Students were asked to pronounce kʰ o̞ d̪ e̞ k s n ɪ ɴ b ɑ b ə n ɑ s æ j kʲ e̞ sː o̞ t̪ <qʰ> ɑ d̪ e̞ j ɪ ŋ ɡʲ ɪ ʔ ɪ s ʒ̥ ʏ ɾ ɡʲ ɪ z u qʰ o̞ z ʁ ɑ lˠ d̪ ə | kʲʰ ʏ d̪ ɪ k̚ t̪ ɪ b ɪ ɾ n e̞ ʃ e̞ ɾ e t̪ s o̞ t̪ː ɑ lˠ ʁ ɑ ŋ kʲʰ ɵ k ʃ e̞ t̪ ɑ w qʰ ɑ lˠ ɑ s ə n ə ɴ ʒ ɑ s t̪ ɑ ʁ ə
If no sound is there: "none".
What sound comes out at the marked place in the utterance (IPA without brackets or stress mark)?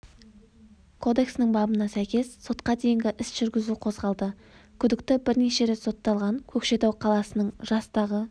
q